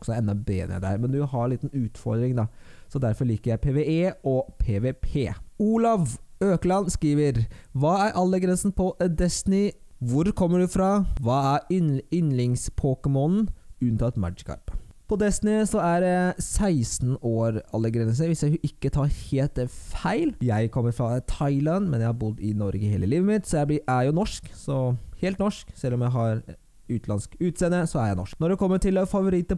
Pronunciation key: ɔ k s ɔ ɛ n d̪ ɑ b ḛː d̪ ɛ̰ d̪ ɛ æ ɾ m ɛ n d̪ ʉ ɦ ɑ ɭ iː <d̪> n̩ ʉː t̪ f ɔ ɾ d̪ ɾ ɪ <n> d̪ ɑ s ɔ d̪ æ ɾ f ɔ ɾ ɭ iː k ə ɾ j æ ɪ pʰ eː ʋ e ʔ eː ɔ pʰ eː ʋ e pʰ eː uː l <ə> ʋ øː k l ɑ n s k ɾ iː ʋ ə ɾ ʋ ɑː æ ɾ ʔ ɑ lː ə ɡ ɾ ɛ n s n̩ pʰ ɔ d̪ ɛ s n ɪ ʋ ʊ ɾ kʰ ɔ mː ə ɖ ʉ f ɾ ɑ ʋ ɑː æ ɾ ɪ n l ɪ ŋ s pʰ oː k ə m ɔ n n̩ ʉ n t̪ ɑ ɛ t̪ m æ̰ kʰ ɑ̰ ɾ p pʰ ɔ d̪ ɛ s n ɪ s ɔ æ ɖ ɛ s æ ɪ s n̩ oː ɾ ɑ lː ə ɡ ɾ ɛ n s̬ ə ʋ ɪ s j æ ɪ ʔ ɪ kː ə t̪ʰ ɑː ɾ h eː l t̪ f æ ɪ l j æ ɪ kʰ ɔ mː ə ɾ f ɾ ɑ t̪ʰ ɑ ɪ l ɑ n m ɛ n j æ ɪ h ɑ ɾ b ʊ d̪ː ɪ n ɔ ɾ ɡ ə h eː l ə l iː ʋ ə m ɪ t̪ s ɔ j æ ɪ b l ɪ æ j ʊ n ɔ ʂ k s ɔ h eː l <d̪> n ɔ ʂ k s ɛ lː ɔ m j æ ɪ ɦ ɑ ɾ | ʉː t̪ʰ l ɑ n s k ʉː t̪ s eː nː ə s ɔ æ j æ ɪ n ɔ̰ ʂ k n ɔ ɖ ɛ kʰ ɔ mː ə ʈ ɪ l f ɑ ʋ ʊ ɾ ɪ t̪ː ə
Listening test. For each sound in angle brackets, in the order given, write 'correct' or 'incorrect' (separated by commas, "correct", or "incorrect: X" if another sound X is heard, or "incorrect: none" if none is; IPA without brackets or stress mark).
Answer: incorrect: t̪, incorrect: ŋ, incorrect: ɑ, incorrect: t̪